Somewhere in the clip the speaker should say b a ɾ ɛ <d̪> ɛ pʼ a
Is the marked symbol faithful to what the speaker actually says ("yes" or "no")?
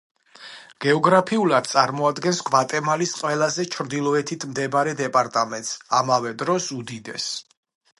yes